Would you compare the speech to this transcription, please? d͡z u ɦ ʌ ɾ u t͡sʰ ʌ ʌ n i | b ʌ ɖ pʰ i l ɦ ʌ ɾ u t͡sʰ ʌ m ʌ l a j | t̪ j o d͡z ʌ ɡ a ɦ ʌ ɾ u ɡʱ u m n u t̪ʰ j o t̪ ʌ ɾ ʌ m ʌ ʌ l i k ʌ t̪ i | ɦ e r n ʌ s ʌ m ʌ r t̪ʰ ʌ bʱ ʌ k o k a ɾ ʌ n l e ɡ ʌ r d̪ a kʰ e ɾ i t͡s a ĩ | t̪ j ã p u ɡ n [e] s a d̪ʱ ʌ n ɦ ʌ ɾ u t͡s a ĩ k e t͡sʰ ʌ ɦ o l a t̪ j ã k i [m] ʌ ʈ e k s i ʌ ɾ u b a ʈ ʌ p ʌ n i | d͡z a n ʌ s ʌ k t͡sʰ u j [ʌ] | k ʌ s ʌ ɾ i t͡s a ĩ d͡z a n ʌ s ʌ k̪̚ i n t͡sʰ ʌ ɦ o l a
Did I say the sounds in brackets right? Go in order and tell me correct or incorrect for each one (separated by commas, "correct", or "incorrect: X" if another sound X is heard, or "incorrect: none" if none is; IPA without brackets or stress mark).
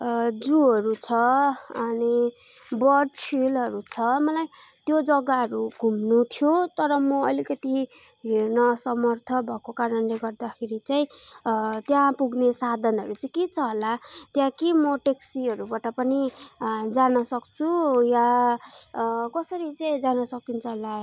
correct, correct, incorrect: a